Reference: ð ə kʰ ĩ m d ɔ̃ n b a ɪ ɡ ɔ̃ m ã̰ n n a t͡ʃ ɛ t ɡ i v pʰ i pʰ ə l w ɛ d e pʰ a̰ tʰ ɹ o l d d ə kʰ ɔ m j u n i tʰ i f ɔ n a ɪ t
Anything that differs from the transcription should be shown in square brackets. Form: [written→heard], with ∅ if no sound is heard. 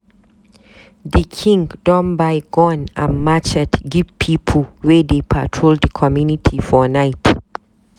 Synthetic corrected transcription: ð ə kʰ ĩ [m→ŋ] d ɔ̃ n b a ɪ ɡ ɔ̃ [m→n] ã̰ n [n→m] a t͡ʃ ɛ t ɡ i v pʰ i pʰ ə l w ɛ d e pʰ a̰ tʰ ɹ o l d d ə kʰ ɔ m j u n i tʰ i f ɔ n a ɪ t